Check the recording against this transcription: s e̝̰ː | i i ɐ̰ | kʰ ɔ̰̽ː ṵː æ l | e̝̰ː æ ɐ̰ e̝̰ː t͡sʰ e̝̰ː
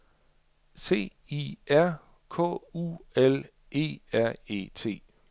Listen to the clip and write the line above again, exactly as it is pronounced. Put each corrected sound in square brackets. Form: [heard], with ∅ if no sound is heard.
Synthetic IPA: s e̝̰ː | i [æ] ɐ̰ | kʰ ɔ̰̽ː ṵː [e] l | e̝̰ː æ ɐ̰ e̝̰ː t͡sʰ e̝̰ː